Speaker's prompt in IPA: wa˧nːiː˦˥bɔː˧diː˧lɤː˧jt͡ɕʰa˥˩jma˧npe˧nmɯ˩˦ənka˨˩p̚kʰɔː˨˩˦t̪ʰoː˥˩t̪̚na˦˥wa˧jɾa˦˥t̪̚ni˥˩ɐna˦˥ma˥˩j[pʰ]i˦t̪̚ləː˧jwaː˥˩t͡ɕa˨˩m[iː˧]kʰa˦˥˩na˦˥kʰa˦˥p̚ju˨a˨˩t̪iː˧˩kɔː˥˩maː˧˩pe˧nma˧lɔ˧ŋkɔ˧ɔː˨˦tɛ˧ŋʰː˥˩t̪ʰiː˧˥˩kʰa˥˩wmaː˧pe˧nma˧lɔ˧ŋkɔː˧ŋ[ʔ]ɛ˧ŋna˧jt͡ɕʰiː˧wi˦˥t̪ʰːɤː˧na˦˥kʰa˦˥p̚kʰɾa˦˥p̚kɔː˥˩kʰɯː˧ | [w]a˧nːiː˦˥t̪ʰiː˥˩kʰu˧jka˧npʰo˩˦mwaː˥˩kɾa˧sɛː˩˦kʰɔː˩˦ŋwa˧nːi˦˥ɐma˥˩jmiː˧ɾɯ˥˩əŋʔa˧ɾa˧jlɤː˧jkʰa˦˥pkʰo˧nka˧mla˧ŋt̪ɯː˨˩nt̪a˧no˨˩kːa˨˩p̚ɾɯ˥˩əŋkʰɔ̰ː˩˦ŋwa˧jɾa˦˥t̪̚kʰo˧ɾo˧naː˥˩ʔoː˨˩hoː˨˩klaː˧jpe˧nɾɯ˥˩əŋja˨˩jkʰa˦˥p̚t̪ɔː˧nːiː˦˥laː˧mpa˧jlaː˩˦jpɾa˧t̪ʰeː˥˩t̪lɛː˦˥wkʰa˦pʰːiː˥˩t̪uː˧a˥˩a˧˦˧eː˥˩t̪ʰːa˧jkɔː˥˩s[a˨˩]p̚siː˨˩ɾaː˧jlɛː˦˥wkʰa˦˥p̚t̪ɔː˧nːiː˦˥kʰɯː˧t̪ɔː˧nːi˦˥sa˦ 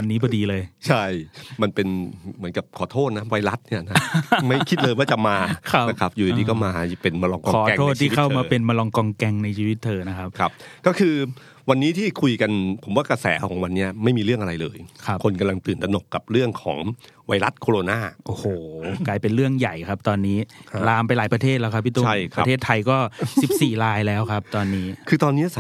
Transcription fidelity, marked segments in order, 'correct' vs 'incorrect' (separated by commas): incorrect, incorrect, incorrect, correct, incorrect